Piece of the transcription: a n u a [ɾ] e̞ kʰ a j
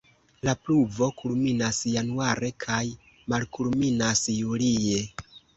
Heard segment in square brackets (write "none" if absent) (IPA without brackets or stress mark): ɾ